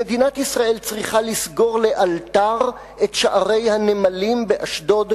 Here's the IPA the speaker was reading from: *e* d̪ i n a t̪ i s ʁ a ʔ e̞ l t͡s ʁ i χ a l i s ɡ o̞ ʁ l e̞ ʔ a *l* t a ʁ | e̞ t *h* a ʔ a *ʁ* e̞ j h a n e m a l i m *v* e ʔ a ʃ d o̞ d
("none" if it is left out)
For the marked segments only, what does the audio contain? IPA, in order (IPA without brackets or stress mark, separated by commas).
e, l, ʃ, ʁ, b